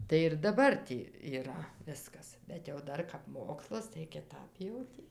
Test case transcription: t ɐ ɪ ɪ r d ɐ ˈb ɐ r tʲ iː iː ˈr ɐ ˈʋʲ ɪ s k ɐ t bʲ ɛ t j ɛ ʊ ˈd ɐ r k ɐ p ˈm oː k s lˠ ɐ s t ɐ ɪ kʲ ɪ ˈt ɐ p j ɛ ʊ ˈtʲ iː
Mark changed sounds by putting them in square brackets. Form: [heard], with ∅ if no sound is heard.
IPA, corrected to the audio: t ɐ ɪ ɪ r d ɐ ˈb ɐ r tʲ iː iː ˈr ɐ ˈʋʲ ɪ s k ɐ [s] bʲ ɛ t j ɛ ʊ ˈd ɐ r k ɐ p ˈm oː k s lˠ ɐ s t ɐ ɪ kʲ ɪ ˈt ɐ p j ɛ ʊ ˈtʲ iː